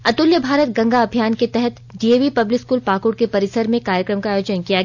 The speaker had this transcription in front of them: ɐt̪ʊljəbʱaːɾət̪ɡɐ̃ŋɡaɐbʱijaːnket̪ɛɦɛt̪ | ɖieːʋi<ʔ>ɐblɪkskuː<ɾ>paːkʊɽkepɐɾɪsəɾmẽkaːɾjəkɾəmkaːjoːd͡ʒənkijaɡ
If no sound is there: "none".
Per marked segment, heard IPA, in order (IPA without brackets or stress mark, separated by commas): p, l